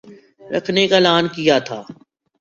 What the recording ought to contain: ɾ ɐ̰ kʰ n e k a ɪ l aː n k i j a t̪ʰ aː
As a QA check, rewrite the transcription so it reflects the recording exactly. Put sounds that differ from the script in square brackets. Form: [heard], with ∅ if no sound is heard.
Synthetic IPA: ɾ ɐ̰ kʰ n e k a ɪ l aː n k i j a t̪ʰ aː